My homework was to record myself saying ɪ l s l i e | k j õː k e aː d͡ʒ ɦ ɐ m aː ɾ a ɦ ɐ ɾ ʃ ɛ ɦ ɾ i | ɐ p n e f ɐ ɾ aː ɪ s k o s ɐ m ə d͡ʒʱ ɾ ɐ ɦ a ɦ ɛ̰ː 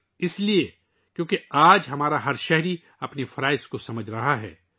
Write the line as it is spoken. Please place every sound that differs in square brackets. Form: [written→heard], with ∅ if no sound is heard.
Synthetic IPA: ɪ [l→∅] s l i e | k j õː k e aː d͡ʒ ɦ ɐ m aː ɾ a ɦ ɐ ɾ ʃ ɛ ɦ ɾ i | ɐ p n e f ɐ ɾ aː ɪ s k o s ɐ m ə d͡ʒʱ ɾ ɐ ɦ a ɦ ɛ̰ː